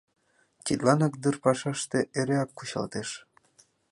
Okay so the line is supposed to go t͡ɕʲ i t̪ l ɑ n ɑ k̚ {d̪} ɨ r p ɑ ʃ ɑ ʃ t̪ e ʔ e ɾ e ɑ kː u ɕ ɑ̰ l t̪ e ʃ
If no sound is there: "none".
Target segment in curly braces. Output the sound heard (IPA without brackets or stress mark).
d̪